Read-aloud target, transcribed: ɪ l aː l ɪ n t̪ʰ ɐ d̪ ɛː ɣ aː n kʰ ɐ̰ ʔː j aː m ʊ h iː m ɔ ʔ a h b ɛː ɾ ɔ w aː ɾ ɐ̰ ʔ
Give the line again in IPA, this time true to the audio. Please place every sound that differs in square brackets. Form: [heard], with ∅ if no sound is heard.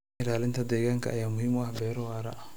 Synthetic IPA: ɪ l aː l ɪ n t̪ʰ ɐ d̪ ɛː ɣ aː [ŋ] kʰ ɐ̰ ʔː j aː m ʊ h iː m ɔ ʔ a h b ɛː ɾ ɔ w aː ɾ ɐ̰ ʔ